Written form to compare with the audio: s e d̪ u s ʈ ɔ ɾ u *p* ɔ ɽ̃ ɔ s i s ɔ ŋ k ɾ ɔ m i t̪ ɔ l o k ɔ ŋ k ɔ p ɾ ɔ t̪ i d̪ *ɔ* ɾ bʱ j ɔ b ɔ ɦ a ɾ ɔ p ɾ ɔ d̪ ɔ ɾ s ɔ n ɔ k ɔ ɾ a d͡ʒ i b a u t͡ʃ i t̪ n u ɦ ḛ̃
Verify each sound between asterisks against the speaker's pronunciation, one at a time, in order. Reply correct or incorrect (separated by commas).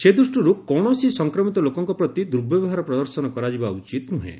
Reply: incorrect, incorrect